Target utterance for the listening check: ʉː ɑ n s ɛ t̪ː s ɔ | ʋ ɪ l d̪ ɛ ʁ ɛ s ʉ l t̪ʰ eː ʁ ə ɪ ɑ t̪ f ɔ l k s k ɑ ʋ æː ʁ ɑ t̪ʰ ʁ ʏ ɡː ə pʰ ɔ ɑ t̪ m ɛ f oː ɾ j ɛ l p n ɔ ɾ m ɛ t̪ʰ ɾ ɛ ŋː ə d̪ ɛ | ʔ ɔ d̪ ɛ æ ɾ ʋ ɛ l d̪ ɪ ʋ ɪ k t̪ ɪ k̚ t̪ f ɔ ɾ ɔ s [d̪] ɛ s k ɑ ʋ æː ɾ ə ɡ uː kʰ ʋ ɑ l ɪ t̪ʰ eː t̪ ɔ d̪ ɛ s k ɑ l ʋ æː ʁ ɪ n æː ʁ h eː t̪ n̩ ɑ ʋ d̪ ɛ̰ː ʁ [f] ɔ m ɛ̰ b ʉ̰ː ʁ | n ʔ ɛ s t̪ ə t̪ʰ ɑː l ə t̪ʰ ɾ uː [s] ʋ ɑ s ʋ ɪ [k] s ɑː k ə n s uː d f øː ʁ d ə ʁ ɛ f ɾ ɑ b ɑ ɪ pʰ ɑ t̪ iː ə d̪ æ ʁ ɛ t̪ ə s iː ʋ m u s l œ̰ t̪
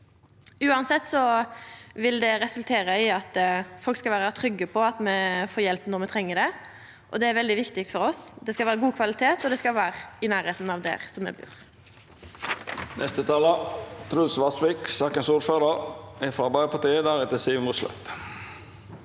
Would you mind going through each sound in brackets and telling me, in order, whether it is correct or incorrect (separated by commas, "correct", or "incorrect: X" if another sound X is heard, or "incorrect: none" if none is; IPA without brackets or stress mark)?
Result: correct, incorrect: s, correct, correct